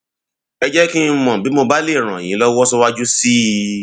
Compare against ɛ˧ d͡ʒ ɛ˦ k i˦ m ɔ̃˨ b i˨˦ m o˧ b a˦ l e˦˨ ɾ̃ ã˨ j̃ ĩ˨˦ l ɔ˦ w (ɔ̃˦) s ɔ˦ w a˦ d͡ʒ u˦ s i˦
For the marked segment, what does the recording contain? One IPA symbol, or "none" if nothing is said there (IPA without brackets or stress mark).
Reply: ɔ˦